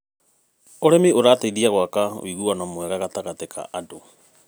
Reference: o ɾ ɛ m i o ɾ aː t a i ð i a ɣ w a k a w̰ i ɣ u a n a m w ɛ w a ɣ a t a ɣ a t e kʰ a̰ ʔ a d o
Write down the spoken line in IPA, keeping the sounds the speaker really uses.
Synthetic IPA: o ɾ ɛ m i o ɾ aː t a i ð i a ɣ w a k a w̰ i ɣ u a n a m w ɛ ɣ a ɣ a t a ɣ a t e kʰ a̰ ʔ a d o